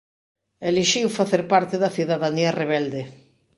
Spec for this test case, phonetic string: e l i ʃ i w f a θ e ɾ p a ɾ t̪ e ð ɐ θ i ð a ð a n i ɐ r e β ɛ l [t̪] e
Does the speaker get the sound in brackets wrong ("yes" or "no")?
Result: yes